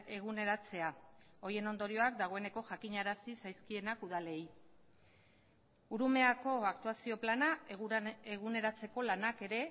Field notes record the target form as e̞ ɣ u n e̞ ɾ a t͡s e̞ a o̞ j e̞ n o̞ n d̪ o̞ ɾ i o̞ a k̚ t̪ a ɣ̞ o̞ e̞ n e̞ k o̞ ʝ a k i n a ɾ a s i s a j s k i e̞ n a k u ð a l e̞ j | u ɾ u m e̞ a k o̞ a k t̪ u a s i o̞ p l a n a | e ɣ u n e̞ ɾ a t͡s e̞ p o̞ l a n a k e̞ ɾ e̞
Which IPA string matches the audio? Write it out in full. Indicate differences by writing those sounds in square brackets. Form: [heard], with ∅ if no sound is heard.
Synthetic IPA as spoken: e̞ ɣ u n e̞ ɾ a t͡s e̞ a o̞ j e̞ n o̞ n d̪ o̞ ɾ i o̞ a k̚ [d̪] a ɣ̞ o̞ e̞ n e̞ k o̞ ʝ a k i [ɲ] a ɾ a s i s a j s k i e̞ n a k u ð a l e̞ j | u ɾ u m e̞ a k o̞ a k t̪ u a s i o̞ p l a n a | e ɣ u n e̞ ɾ a t͡s e̞ [k] o̞ l a n a k e̞ ɾ e̞